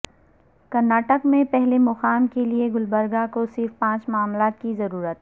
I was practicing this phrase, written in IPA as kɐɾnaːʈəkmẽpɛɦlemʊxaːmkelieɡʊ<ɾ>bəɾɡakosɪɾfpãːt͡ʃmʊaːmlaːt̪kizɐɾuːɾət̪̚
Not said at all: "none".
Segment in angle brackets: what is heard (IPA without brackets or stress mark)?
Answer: l